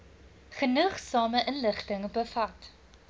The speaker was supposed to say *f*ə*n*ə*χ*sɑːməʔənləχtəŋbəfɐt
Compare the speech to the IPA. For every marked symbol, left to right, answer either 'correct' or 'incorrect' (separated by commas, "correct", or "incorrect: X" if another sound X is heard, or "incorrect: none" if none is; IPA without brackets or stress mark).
incorrect: χ, correct, correct